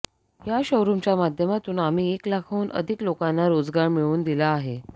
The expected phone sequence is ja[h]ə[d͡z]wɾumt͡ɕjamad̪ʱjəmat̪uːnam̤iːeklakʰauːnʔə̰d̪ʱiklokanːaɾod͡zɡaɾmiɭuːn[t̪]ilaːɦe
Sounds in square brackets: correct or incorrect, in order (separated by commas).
incorrect, incorrect, incorrect